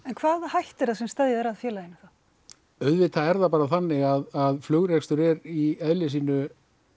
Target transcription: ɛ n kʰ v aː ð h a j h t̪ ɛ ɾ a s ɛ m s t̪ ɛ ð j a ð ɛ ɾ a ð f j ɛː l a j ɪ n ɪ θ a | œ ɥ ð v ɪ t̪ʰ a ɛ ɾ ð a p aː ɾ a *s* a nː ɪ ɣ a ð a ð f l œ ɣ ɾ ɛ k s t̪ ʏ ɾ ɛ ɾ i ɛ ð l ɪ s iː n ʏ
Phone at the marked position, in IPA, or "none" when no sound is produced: θ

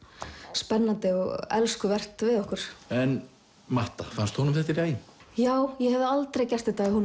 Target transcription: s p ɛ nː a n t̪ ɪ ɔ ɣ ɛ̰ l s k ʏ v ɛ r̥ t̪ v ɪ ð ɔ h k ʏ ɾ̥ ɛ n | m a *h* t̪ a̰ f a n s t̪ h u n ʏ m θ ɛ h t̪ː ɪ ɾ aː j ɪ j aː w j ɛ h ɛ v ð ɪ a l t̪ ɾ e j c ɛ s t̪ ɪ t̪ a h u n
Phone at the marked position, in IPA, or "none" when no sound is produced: h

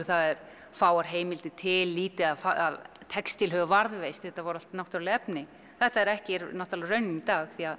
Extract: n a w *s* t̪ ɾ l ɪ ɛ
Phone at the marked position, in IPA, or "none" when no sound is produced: h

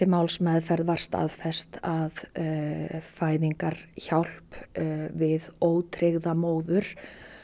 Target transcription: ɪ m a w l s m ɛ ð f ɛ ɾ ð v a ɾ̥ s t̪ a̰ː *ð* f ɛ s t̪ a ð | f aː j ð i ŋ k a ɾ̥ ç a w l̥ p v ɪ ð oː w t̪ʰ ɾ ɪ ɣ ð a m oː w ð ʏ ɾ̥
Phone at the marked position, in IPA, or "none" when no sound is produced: ð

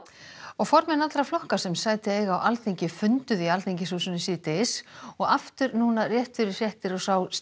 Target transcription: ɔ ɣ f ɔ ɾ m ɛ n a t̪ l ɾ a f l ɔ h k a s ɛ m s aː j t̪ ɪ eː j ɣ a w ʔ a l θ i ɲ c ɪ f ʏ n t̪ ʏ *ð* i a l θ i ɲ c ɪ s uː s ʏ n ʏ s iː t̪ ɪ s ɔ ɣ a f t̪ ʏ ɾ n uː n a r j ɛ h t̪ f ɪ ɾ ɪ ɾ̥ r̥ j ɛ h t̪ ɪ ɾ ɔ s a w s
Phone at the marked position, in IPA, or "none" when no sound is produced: ð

